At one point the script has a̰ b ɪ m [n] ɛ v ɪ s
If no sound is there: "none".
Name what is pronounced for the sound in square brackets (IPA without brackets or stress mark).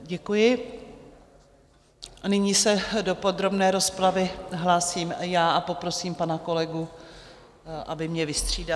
ɲ